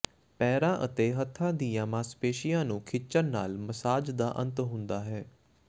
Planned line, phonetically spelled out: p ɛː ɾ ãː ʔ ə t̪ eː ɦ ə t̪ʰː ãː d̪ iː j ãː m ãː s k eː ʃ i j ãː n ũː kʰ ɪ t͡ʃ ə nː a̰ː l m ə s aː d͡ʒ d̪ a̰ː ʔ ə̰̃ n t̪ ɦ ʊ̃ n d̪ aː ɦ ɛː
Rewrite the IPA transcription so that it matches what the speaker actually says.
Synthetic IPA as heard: p ɛː ɾ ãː ʔ ə t̪ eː ɦ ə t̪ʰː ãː d̪ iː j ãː m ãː s p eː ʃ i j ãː n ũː kʰ ɪ t͡ʃ ə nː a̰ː l m ə s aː d͡ʒ d̪ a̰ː ʔ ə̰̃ n t̪ ɦ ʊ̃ n d̪ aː ɦ ɛː

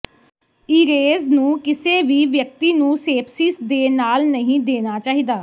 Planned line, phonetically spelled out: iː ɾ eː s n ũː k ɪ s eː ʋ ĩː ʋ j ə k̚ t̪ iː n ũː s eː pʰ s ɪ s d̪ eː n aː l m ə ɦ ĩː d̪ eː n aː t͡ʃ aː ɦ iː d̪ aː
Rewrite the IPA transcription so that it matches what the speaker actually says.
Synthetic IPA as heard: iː ɾ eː z n ũː k ɪ s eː ʋ iː ʋ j ə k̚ t̪ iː n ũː s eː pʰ s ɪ s d̪ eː n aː l n ə ɦ ĩː d̪ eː n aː t͡ʃ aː ɦ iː d̪ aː

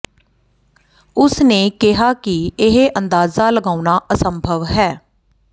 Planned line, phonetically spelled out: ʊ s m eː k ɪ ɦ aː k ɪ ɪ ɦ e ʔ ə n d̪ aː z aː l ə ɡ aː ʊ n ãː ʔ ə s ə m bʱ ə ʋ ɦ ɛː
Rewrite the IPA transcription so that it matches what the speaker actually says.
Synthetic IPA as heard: ʊ s n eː k ɪ ɦ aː k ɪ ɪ ɦ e ʔ ə n d̪ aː z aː l ə ɡ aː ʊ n aː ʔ ə s ə m bʱ ə ʋ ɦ ɛː

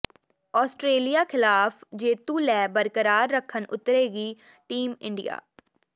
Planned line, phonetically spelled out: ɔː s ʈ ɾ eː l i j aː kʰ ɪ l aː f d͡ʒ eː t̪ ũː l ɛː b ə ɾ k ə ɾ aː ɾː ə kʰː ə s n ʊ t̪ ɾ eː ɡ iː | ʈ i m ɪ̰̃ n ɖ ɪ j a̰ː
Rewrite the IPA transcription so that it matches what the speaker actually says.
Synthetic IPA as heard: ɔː s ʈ ɾ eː l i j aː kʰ ɪ l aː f d͡ʒ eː t̪ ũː l ɛː b ə ɾ k ə ɾ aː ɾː ə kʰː ə n ʊ t̪ ɾ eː ɡ iː | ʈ iː m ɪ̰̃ ɳ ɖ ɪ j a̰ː

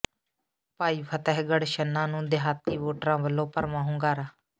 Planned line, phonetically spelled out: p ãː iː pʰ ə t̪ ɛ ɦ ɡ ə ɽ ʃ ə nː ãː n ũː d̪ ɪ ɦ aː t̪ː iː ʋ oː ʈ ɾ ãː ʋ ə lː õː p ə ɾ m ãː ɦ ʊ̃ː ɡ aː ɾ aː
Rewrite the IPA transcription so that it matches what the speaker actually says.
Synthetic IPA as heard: p aː iː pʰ ə t̪ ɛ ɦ ɡ ə ɽ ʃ ə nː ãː n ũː d̪ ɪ ɦ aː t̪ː iː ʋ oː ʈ ɾ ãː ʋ ə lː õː p ə ɾ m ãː ɦ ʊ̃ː ɡ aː ɾ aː

